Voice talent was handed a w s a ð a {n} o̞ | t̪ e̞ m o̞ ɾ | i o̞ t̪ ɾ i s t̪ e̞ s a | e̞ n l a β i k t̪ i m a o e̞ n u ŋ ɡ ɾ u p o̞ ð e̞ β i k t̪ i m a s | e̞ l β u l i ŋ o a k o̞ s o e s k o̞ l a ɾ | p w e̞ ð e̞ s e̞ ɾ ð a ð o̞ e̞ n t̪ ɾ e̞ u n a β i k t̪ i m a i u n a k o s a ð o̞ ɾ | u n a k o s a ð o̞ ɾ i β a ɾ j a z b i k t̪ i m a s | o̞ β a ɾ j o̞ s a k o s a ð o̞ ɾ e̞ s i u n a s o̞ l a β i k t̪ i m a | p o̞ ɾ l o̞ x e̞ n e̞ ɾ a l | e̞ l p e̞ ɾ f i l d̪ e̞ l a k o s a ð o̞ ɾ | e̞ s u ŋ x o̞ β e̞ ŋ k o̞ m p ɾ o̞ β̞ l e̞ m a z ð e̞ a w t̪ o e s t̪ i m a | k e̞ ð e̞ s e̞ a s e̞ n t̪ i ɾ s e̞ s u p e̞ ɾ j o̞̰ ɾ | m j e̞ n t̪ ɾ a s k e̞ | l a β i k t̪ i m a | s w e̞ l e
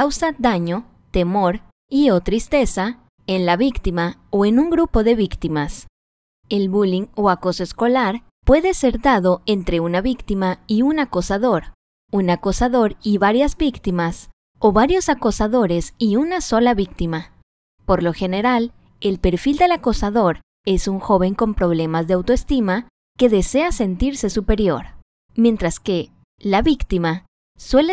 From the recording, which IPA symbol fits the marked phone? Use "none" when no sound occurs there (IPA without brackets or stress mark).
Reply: ɲ